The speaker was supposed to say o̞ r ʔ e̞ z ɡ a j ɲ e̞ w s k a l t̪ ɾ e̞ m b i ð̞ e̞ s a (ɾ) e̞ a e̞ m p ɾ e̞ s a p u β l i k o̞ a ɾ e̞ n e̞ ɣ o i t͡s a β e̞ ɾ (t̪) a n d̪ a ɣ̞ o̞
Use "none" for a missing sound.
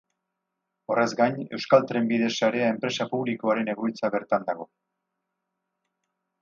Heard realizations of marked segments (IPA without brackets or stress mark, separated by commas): ɾ, t̪